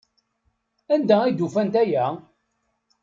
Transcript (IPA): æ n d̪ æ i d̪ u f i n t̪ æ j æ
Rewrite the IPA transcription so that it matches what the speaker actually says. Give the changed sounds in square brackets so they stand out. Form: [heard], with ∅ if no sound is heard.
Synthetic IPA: æ n d̪ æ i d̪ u f [æ] n t̪ æ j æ